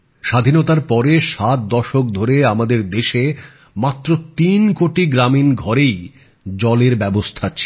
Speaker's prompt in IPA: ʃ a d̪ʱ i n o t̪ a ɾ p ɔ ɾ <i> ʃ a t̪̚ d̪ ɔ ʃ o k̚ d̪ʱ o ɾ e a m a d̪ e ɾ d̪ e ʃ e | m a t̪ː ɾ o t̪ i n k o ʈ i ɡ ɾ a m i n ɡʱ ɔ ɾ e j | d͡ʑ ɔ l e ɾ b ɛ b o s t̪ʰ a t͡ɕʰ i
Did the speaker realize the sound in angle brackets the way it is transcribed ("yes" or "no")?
no